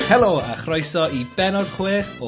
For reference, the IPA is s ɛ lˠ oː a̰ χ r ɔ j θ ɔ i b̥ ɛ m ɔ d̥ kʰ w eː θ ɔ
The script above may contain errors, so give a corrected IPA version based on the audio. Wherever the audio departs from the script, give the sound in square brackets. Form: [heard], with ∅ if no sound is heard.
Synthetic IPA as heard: [h] ɛ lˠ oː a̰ χ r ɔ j [s] ɔ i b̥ ɛ [n] ɔ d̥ kʰ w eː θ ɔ